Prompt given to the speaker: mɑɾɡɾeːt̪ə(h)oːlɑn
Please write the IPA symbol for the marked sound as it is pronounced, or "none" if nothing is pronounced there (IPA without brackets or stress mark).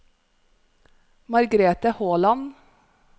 h